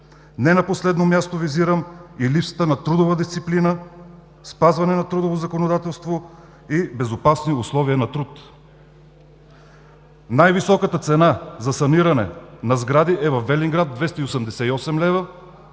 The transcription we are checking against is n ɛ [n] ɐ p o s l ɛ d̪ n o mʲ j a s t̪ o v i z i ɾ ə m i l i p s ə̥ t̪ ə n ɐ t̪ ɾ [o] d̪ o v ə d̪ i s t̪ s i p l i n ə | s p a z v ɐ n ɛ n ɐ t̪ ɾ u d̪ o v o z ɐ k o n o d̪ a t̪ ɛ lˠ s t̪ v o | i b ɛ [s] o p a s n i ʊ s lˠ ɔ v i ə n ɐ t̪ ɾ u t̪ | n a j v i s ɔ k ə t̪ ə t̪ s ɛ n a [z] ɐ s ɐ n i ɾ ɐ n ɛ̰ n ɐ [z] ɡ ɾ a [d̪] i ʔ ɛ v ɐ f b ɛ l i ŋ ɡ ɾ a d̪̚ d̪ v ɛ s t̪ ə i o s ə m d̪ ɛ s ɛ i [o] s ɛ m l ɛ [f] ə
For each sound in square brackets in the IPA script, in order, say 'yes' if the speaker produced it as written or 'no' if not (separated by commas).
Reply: yes, no, no, yes, yes, yes, no, no